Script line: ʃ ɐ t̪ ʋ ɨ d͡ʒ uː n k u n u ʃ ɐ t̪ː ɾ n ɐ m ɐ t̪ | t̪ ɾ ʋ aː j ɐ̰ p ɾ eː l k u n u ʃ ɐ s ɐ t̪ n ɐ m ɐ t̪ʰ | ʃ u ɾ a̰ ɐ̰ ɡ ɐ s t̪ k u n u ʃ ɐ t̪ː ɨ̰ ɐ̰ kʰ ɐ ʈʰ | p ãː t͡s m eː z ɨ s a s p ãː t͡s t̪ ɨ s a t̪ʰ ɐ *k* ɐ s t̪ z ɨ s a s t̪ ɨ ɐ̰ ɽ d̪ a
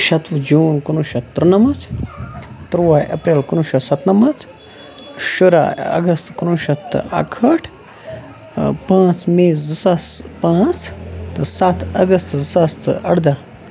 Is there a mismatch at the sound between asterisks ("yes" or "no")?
yes